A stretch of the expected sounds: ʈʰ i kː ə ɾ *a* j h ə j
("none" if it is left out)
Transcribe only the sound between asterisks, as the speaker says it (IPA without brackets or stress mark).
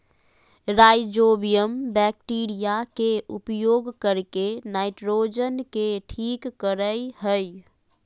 ə